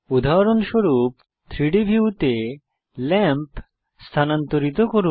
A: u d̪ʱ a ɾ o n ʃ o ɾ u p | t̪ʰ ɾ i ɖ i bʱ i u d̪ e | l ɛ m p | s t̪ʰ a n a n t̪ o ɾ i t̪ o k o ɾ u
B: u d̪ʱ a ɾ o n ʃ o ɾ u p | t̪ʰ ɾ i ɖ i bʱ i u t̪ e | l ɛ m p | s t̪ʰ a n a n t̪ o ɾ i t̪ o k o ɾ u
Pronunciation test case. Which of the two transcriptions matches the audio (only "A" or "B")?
B